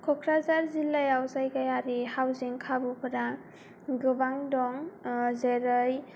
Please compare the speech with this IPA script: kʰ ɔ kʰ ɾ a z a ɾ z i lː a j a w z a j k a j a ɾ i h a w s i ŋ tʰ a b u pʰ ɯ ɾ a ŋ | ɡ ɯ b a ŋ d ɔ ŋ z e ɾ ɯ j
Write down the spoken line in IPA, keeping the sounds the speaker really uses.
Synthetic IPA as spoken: kʰ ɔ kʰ ɾ a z a ɾ z i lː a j a w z a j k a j a ɾ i h a w z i ŋ kʰ a b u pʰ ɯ ɾ a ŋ | ɡ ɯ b a ŋ d ɔ ŋ z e ɾ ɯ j